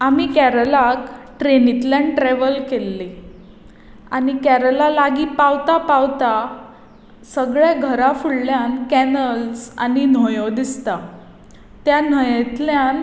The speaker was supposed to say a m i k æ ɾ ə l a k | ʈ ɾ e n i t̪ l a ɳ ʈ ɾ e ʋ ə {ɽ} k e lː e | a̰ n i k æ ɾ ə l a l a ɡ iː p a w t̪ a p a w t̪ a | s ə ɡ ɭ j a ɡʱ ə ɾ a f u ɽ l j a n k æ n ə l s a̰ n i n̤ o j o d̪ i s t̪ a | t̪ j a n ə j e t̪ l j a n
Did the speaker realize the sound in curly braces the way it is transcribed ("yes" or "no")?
no